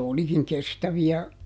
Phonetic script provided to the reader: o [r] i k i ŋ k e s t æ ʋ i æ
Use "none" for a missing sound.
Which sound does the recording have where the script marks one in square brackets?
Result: l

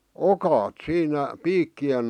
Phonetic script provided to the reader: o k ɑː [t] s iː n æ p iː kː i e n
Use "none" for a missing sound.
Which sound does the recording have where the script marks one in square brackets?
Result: t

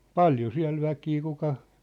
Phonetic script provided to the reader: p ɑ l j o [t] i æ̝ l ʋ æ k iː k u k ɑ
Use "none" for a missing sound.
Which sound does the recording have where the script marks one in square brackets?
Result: s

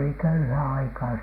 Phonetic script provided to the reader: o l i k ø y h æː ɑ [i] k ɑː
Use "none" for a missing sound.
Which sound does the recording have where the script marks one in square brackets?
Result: i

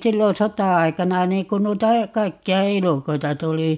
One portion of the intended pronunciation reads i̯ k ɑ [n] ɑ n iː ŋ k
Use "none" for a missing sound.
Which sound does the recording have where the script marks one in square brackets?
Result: n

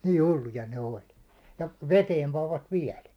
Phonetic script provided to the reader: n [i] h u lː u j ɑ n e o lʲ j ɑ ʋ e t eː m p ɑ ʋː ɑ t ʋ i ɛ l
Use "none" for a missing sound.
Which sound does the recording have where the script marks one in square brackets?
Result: iː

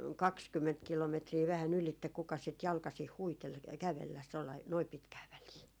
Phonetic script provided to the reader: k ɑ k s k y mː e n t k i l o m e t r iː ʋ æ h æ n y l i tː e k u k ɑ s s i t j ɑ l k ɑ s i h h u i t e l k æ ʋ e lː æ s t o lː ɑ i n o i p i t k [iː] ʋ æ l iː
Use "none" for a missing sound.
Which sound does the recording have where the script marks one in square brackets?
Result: æː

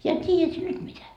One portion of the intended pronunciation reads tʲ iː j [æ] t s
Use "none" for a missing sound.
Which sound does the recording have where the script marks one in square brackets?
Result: æ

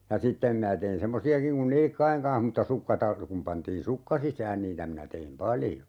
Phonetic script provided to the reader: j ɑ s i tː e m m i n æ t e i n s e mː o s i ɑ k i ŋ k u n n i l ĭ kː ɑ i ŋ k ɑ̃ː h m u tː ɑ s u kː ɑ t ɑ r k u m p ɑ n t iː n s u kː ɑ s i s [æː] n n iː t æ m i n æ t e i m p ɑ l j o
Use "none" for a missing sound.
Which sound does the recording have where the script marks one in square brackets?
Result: æː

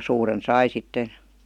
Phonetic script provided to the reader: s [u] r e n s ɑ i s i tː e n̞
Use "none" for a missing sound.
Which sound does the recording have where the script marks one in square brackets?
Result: uː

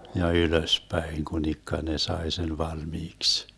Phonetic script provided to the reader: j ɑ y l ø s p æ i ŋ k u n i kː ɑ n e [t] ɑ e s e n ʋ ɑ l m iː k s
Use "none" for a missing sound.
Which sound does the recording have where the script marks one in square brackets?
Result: s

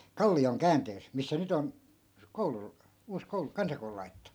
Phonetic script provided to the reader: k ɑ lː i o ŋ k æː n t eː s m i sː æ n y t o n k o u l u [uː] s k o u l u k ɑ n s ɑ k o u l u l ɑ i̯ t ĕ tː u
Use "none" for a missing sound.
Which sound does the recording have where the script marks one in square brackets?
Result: uː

